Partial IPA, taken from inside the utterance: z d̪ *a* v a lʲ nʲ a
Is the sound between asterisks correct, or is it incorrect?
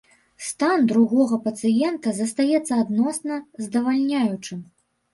incorrect